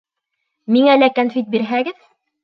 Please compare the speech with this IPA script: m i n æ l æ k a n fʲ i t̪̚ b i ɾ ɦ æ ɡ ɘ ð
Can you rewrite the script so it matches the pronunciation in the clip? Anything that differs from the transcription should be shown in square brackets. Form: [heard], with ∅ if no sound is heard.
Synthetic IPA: m i [ŋ] æ l æ k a n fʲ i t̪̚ b i ɾ ɦ æ ɡ ɘ ð